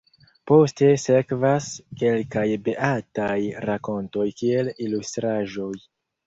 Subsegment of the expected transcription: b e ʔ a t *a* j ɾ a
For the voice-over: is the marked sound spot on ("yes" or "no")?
yes